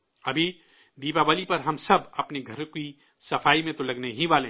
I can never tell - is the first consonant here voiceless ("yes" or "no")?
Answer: no